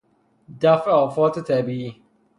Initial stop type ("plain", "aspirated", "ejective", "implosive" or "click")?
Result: plain